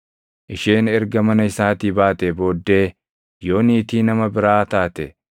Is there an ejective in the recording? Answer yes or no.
no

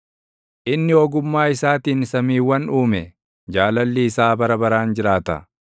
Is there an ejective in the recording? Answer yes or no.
no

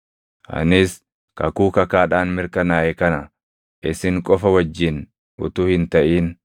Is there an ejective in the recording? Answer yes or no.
yes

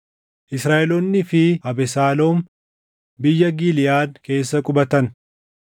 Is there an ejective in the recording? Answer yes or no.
yes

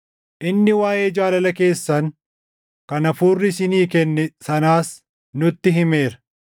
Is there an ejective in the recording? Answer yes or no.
no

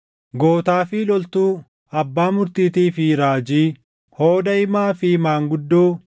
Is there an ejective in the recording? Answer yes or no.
no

